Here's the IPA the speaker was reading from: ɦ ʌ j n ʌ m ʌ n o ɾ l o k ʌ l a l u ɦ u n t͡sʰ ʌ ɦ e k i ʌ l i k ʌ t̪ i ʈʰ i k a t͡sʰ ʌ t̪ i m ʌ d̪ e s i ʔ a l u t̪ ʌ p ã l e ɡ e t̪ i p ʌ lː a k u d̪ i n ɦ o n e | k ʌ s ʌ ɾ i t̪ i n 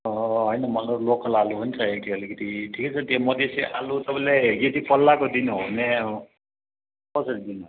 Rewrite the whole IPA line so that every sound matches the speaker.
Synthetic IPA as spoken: ɦ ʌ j n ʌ m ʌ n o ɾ l o k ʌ l a l u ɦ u n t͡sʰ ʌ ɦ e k i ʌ l i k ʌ t̪ i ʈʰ i k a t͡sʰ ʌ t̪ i m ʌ d̪ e s i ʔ a l u t̪ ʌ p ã l e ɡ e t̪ i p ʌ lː a k o d̪ i n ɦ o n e | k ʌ s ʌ ɾ i d̪ i n